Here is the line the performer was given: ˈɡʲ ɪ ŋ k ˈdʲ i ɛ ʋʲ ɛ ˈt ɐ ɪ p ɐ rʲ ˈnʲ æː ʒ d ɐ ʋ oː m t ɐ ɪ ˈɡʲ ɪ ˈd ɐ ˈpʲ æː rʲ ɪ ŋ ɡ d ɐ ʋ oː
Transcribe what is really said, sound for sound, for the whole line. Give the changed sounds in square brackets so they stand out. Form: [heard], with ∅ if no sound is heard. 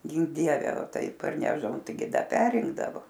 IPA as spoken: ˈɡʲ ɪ ŋ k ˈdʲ i ɛ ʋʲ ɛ ˈt ɐ ɪ p ɐ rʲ ˈnʲ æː ʒ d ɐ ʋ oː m t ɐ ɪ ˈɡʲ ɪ ˈd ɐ ˈpʲ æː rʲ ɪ ŋ ɡ d ɐ ʋ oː